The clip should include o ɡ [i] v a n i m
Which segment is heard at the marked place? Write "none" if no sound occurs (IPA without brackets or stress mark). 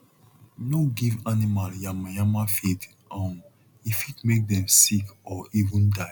i